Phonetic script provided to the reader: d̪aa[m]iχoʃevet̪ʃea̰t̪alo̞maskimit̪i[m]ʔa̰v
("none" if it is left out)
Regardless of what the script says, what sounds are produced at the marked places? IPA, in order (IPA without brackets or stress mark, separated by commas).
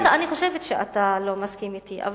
n, none